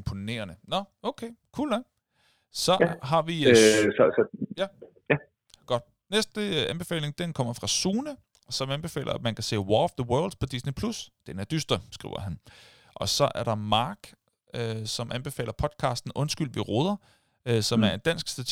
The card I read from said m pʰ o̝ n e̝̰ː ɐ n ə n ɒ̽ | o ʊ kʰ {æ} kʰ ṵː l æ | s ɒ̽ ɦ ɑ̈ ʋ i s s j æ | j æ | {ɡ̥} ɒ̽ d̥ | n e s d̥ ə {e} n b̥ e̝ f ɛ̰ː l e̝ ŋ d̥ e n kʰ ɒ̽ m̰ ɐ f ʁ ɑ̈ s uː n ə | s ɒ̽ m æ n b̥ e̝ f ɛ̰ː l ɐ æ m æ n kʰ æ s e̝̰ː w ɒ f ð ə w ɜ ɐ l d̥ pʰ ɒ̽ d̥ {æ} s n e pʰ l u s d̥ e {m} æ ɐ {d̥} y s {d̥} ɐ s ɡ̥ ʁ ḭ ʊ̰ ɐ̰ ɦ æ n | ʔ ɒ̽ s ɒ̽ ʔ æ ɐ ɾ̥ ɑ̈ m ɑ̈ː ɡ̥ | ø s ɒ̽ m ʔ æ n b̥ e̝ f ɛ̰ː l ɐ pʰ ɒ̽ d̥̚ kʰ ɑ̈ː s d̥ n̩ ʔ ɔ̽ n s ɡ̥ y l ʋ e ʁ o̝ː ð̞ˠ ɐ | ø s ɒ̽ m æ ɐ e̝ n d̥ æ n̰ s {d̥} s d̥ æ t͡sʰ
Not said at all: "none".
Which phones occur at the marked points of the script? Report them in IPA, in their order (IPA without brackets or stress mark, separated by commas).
e, ɡ̥, æ, i, n, d̥, d̥, ɡ̥